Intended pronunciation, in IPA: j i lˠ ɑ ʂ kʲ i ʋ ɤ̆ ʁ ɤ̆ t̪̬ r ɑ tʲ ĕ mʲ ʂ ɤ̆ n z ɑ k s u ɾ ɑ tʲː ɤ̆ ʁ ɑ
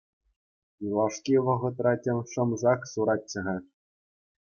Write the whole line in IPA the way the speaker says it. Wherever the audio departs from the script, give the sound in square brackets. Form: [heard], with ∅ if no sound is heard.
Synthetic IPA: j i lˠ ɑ ʂ kʲ i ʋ ɤ̆ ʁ ɤ̆ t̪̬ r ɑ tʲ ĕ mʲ ʂ ɤ̆ [m] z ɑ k s u ɾ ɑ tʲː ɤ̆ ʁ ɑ